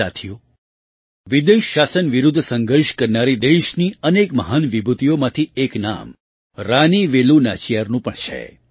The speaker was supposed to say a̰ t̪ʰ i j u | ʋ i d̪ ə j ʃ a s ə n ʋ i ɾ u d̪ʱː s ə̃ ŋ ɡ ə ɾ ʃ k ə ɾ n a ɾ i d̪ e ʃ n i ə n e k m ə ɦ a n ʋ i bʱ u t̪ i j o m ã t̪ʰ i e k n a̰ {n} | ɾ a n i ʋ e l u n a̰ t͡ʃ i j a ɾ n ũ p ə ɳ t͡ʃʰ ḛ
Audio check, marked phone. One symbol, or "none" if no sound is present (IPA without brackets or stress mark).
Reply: m